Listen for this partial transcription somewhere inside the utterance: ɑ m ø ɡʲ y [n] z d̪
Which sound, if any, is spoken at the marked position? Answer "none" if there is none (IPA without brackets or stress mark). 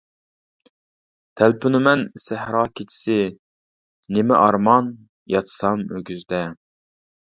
none